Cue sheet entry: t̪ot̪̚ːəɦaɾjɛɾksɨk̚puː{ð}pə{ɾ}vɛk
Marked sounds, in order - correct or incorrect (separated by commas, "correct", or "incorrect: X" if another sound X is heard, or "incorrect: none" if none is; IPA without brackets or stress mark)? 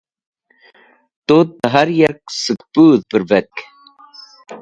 correct, correct